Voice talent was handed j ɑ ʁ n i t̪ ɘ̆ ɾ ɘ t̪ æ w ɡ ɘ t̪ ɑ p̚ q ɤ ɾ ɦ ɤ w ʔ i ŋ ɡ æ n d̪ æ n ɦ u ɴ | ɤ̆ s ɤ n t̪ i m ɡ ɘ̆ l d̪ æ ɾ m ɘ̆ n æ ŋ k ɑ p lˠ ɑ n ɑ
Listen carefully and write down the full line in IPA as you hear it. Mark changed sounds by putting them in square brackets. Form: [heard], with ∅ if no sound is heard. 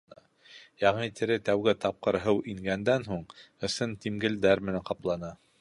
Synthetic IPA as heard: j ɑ ʁ n i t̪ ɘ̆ ɾ ɘ t̪ æ w ɡ ɘ t̪ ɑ p̚ q ɤ ɾ ɦ ɤ w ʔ i ŋ ɡ æ n d̪ æ n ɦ u ɴ | ɤ̆ s ɤ n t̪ i m ɡ ɘ̆ l d̪ æ ɾ m ɘ̆ n æ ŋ [q] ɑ p lˠ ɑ n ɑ

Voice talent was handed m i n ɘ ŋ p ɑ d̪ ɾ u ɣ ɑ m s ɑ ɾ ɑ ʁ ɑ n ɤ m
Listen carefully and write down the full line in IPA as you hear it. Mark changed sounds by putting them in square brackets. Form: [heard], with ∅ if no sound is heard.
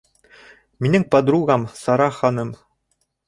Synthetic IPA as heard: m i n ɘ ŋ p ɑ d̪ ɾ u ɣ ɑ m s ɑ ɾ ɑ [χ] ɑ n ɤ m

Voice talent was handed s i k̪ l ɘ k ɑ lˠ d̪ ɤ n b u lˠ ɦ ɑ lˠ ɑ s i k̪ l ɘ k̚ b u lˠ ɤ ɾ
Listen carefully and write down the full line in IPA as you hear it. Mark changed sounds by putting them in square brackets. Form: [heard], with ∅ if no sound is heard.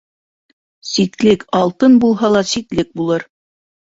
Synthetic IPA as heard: s i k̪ l ɘ k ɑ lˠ [t̪] ɤ n b u lˠ ɦ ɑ lˠ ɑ s i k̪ l ɘ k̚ b u lˠ ɤ ɾ

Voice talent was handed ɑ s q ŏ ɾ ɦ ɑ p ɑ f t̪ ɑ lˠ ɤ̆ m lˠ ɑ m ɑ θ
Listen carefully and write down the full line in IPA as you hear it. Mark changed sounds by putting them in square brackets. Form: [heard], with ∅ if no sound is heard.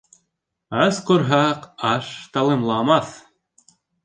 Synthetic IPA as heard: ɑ s q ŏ ɾ ɦ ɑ [q] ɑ [ʃ] t̪ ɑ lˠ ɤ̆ m lˠ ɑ m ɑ θ

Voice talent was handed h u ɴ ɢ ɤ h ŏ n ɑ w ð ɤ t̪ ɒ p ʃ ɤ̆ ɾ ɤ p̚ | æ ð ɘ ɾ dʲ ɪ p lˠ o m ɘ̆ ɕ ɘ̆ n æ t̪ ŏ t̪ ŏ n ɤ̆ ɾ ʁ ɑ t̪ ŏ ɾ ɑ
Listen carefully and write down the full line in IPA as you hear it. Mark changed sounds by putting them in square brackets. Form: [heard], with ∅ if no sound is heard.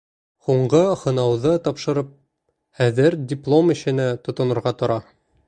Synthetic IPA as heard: h u ɴ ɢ ɤ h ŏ n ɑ w ð ɤ t̪ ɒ p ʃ ɤ̆ ɾ ɤ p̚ | æ ð ɘ ɾ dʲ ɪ p lˠ o m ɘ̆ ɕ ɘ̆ n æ t̪ ŏ t̪ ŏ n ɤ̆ ɾ ʁ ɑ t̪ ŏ ɾ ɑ

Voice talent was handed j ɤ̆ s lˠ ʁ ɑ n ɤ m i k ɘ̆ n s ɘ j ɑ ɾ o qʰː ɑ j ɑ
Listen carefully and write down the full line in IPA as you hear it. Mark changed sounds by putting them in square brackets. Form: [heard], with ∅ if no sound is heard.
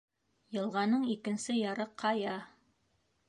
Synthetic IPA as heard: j ɤ̆ [∅] lˠ ʁ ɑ n ɤ [ɴ] i k ɘ̆ n s ɘ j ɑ ɾ [ɤ] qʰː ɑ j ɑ

